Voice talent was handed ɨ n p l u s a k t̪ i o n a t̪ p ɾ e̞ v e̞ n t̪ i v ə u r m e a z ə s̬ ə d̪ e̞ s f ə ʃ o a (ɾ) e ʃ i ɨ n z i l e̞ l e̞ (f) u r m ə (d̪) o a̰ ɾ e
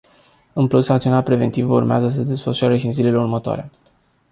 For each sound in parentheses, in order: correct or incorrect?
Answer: correct, incorrect: none, incorrect: t̪

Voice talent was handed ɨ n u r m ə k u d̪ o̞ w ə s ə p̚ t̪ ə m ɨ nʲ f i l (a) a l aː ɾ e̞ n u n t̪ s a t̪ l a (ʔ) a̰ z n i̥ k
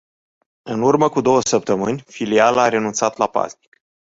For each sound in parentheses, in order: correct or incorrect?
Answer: incorrect: i, incorrect: p

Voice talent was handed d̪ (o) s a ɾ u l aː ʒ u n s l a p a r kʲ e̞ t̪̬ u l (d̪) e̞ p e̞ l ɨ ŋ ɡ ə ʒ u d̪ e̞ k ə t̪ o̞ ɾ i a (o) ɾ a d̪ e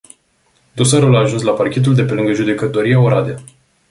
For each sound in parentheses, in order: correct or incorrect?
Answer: correct, correct, correct

